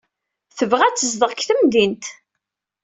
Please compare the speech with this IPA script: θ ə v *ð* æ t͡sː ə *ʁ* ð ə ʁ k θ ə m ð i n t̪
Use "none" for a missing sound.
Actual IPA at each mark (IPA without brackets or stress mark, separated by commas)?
ʁ, z